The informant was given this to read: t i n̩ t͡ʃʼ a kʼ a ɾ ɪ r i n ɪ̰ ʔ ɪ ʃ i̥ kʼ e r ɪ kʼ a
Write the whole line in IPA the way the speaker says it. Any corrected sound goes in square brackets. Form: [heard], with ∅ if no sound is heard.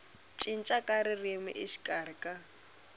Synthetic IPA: [t͡ʃʼ] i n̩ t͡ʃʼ a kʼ a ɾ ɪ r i [m] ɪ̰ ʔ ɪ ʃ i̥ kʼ [a] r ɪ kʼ a